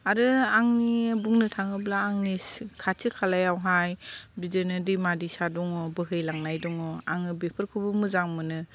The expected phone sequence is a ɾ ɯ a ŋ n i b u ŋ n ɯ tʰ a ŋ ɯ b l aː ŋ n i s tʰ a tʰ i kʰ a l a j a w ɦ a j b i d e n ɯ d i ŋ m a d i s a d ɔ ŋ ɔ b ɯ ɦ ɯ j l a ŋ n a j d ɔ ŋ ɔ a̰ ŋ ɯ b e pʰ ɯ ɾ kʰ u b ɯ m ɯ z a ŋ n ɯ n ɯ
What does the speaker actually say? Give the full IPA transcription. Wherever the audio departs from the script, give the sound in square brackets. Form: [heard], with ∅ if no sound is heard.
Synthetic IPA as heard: a ɾ ɯ a ŋ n i b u ŋ n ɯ tʰ a ŋ ɯ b l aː ŋ n i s [kʰ] a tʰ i kʰ a l a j a w ɦ a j b i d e n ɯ d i [∅] m a d i s a d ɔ ŋ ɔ b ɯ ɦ ɯ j l a ŋ n a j d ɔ ŋ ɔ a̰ ŋ ɯ b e pʰ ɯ ɾ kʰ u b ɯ m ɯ z a ŋ [m] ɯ n ɯ

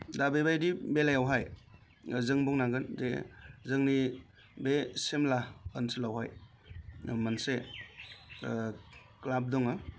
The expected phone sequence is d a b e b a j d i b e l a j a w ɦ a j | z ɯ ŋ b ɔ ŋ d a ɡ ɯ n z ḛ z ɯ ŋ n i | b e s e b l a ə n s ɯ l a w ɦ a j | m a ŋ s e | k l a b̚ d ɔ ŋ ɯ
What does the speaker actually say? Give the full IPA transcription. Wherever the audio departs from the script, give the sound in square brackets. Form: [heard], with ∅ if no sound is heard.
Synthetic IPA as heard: d a b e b a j d i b e l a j a w ɦ a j | z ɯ ŋ b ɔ ŋ [n] a ɡ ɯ n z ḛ z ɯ ŋ n i | b e s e [m] l a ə n s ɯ l a w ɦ a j | m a [n] s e | k l a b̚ d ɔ ŋ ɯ

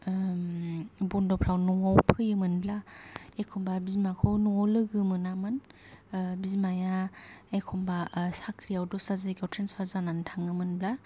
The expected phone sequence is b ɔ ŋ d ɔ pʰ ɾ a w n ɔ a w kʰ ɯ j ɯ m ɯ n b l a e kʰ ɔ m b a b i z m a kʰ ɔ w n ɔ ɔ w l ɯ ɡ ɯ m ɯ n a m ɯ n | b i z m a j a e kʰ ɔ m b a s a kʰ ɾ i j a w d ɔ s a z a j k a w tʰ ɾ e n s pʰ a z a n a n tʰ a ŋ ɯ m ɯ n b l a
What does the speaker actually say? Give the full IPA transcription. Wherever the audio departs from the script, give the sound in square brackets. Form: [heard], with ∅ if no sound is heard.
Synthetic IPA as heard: b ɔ [n] d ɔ pʰ ɾ a w n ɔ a w [pʰ] ɯ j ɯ m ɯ n b l a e kʰ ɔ m b a b i z m a kʰ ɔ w n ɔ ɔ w l ɯ ɡ ɯ m ɯ n a m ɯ n | b i z m a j a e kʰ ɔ m b a s a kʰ ɾ i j a w d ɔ s a z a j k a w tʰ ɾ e n s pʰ a z a n a n tʰ a ŋ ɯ m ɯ n b l a

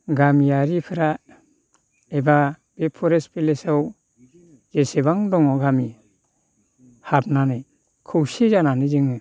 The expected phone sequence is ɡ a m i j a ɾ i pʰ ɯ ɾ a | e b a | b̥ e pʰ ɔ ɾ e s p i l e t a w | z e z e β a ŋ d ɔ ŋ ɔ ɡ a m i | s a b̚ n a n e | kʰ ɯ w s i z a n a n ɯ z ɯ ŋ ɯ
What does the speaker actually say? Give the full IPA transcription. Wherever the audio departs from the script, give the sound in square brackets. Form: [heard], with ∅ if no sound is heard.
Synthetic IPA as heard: ɡ a m i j a ɾ i pʰ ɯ ɾ a | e b a | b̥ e pʰ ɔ ɾ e s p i l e [s] a w | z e [s] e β a ŋ d ɔ ŋ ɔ ɡ a m i | [h] a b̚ n a n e | kʰ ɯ w s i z a n a n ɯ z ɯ ŋ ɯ

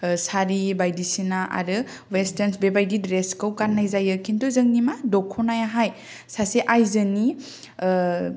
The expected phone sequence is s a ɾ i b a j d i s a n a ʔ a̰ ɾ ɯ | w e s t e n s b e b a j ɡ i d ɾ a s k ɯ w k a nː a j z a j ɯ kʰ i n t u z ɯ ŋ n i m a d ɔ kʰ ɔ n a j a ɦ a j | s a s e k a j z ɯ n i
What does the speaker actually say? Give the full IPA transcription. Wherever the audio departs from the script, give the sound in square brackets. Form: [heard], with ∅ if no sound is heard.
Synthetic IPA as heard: s a ɾ i b a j d i s [i] n a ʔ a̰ ɾ ɯ | w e s t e n s b e b a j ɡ i d ɾ [e] s k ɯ w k a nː a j z a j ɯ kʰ i n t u z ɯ ŋ n i m a d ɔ kʰ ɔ n a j a ɦ a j | s a s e [ʔ] a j z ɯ n i

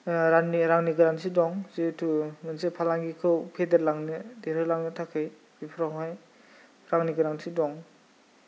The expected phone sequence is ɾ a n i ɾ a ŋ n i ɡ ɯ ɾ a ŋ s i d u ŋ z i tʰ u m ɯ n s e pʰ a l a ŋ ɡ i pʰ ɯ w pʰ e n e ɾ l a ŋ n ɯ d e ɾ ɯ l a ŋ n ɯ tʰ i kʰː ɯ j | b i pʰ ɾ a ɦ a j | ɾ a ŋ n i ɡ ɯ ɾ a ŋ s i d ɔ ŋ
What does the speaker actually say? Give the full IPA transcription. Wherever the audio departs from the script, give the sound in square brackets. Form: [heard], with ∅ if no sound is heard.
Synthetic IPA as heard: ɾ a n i ɾ a ŋ n i ɡ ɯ ɾ a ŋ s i d [ɔ] ŋ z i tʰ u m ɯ n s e pʰ a l a ŋ ɡ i [kʰ] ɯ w pʰ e [d] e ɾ l a ŋ n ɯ d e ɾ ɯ l a ŋ n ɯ tʰ [a] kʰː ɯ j | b i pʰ ɾ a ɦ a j | ɾ a ŋ n i ɡ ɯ ɾ a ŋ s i d ɔ ŋ

